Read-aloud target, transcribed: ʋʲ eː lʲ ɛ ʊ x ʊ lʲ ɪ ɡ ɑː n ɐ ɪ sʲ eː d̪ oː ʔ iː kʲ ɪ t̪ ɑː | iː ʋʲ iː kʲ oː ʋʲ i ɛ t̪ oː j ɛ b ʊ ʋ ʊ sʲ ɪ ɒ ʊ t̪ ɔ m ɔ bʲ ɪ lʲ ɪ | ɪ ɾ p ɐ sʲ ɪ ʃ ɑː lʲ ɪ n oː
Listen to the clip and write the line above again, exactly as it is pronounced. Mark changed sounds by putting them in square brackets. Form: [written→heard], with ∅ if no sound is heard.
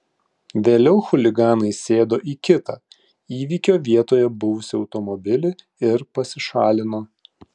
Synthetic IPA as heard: ʋʲ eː lʲ ɛ ʊ x ʊ lʲ ɪ ɡ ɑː n ɐ ɪ sʲ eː d̪ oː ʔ iː kʲ ɪ t̪ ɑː | iː ʋʲ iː kʲ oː ʋʲ i ɛ t̪ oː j ɛ b ʊ ʋ ʊ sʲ ɪ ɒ ʊ t̪ ɔ m ɔ bʲ ɪ lʲ ɪ | ɪ ɾ p ɐ sʲ ɪ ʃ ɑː lʲ ɪ n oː